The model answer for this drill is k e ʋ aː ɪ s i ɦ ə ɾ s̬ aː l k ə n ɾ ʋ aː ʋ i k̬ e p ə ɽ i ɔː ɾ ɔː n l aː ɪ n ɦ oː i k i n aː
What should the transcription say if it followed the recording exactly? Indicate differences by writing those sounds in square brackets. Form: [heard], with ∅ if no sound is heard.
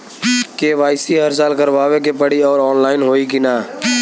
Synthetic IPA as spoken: k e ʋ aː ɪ s i ɦ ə ɾ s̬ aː l k ə [∅] ɾ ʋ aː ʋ [e] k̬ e p ə ɽ i ɔː ɾ ɔː n l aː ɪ n ɦ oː i k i n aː